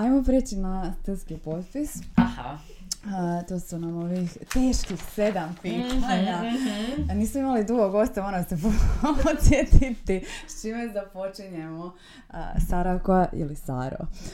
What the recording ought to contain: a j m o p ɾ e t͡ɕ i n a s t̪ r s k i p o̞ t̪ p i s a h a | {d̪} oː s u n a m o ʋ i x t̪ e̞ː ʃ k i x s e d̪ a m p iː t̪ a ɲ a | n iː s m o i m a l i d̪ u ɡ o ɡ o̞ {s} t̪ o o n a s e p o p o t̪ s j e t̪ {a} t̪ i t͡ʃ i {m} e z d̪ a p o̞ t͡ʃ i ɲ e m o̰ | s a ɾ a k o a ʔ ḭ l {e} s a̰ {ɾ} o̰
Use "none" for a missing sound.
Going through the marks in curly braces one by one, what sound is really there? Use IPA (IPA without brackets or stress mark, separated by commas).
t̪, s, i, m, i, ɾ